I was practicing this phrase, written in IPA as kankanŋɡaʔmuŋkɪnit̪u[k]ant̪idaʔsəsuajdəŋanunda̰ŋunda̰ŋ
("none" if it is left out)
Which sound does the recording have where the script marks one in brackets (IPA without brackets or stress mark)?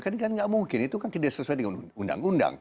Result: k